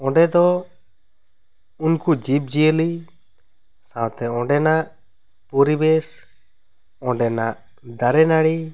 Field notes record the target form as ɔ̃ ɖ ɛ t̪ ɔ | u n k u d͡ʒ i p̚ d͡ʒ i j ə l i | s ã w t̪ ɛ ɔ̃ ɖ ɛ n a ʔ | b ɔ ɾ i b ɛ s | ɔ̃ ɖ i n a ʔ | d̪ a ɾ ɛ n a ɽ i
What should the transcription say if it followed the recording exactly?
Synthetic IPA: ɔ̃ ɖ ɛ d̪ ɔ | u n k u d͡ʒ i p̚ d͡ʒ i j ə l i | s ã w t̪ ɛ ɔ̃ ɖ ɛ n a ʔ | p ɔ ɾ i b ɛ s | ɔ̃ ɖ ɛ n a ʔ | d̪ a ɾ ɛ n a ɽ i